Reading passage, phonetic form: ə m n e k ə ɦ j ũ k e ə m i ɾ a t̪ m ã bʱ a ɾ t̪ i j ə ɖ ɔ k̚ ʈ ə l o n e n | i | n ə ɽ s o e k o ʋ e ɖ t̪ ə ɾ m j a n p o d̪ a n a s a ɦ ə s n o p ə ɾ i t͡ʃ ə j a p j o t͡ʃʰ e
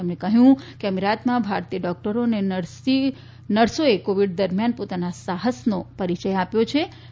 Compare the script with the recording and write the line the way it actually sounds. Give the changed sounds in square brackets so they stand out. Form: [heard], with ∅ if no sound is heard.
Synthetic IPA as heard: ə m n e k ə ɦ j ũ k e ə m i ɾ a t̪ m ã bʱ a ɾ t̪ i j ə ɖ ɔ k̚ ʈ ə [ɾ] o n e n | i | n ə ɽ s o e k o ʋ [i] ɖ [d̪] ə ɾ m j a n p o [t̪] a n a s a ɦ ə s n o p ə ɾ i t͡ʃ ə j a p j o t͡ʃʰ e